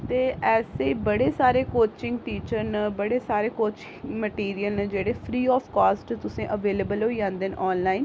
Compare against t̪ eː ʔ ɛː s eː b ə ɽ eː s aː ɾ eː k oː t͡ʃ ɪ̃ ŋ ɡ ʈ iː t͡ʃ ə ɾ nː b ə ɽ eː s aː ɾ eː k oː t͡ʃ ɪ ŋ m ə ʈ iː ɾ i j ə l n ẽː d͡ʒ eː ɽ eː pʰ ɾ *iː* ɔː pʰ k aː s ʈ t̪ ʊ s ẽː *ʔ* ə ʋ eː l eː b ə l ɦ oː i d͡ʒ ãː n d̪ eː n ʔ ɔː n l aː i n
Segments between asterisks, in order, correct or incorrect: correct, correct

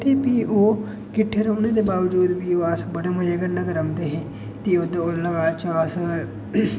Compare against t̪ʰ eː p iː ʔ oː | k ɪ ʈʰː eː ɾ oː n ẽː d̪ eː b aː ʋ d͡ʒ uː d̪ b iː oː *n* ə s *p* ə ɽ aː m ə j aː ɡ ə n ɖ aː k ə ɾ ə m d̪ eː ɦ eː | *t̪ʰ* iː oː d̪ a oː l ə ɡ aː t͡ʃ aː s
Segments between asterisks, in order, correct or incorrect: incorrect: none, incorrect: b, incorrect: t̪

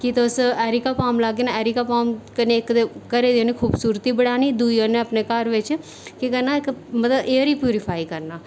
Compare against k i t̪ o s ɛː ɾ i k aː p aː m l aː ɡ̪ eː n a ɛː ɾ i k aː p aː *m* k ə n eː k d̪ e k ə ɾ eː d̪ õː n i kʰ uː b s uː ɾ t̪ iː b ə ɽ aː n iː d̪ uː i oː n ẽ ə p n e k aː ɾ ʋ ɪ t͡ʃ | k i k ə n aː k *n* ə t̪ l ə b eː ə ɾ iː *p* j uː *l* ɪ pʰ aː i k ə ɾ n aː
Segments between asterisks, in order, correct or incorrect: correct, incorrect: m, correct, incorrect: ɾ

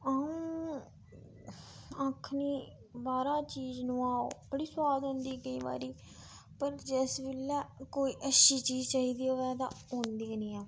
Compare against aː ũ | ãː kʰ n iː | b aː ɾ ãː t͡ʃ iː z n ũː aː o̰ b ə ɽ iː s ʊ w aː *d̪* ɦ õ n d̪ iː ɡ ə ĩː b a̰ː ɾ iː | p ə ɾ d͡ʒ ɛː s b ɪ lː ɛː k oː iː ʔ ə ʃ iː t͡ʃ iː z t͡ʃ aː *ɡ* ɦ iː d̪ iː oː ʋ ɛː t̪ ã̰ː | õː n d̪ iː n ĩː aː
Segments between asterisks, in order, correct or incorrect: correct, incorrect: none

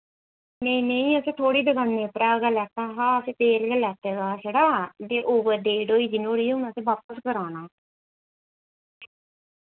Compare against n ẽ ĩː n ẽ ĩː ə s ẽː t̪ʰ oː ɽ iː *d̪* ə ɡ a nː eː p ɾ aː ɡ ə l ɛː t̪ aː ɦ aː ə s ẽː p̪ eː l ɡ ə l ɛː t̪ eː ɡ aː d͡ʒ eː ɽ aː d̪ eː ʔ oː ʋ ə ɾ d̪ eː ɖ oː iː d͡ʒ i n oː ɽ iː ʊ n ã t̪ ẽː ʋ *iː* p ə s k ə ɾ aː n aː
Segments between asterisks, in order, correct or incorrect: correct, incorrect: aː

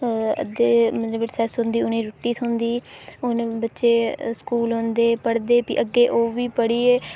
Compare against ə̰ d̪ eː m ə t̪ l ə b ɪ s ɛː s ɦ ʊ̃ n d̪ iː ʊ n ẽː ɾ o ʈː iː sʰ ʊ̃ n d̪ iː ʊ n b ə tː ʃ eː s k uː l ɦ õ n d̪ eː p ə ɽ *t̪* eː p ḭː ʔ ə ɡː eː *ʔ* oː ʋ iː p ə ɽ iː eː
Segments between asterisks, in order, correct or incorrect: incorrect: d̪, correct

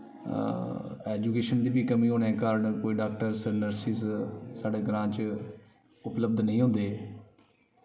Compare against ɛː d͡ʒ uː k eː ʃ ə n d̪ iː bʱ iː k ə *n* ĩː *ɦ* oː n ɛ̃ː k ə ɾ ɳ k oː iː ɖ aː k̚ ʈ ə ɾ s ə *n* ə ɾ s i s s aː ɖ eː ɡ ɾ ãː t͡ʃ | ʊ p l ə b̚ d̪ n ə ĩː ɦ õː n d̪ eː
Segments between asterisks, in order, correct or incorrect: incorrect: m, correct, correct

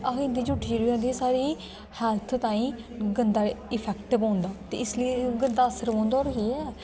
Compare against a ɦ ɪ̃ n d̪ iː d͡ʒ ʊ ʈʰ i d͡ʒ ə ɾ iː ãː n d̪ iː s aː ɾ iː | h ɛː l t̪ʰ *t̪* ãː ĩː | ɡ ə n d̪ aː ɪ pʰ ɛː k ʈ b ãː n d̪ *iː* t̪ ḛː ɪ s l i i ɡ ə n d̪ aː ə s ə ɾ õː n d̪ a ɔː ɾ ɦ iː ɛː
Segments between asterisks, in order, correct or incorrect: correct, incorrect: aː

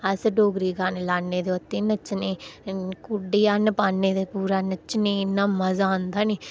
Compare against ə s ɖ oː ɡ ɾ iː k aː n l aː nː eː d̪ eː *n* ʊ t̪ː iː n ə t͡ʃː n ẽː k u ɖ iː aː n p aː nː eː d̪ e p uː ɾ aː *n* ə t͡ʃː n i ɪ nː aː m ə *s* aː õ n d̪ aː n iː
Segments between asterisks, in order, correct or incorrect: incorrect: none, correct, incorrect: z

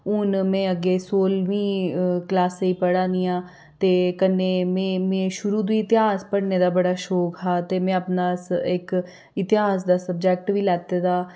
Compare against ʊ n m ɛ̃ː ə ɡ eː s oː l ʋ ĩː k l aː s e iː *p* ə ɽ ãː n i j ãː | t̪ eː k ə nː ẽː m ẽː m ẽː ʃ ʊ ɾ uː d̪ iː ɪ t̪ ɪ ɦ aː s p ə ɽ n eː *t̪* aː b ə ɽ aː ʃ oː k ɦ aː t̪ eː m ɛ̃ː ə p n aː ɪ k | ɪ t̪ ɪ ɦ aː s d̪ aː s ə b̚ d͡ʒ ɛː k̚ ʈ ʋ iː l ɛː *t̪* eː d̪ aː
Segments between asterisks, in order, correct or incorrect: correct, incorrect: d̪, correct

